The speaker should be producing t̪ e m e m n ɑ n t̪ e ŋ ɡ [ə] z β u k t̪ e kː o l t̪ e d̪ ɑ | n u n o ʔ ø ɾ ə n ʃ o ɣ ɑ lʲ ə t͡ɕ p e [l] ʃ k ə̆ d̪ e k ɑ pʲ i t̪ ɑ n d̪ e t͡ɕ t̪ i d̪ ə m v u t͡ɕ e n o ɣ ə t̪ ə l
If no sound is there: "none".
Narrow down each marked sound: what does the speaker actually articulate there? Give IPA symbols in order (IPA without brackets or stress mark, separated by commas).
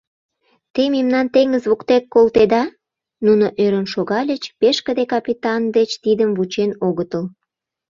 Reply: ə, none